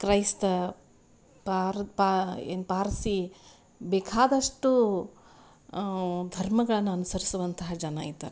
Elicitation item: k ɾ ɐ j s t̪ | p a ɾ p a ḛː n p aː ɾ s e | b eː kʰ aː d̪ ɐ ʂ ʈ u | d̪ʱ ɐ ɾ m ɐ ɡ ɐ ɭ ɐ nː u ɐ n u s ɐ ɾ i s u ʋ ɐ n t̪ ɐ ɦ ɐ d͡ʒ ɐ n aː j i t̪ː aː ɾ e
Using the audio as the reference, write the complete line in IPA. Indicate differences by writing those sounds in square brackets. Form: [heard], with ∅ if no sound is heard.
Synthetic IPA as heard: k ɾ ɐ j s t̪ | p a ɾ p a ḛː n p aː ɾ s [i] | b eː kʰ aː d̪ ɐ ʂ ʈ u | d̪ʱ ɐ ɾ m ɐ ɡ ɐ ɭ ɐ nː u ɐ n u s ɐ ɾ i s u ʋ ɐ n t̪ ɐ ɦ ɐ d͡ʒ ɐ n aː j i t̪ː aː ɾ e